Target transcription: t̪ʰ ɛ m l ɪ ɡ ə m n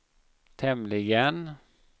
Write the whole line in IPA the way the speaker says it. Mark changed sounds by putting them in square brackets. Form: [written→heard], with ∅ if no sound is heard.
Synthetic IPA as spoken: t̪ʰ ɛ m l ɪ ɡ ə [m→∅] n